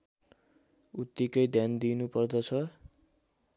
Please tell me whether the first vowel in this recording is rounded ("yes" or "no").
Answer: yes